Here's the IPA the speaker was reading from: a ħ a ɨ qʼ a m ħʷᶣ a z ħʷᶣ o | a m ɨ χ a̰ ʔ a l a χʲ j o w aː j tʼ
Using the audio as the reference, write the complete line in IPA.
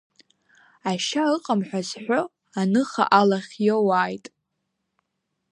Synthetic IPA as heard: a ʃ a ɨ qʼ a m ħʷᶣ a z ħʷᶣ o | a n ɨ χ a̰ ʔ a l a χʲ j o w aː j tʼ